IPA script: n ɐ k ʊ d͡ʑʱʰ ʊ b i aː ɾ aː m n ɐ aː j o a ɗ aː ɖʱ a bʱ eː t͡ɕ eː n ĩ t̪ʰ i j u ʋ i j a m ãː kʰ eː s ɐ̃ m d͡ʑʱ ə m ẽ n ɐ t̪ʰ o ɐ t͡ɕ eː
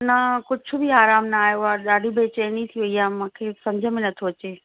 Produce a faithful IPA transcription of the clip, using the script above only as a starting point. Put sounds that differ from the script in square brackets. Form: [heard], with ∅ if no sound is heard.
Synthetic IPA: n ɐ k ʊ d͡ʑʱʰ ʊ b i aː ɾ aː m n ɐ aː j o a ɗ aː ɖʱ [i] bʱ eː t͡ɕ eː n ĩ t̪ʰ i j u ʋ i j a m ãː kʰ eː s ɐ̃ m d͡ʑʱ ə m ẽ n ɐ t̪ʰ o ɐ t͡ɕ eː